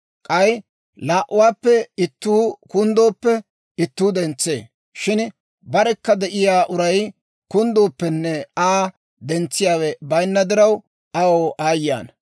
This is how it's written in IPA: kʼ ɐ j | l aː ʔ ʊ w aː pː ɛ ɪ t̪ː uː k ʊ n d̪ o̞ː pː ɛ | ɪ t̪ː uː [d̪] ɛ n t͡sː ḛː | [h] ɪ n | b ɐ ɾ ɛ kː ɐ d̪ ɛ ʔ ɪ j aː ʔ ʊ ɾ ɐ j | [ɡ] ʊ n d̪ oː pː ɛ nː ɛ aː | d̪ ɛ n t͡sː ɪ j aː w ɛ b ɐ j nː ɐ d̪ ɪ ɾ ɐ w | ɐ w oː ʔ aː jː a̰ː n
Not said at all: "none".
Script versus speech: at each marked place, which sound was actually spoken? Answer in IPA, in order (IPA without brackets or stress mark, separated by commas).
d̪, ʃ, k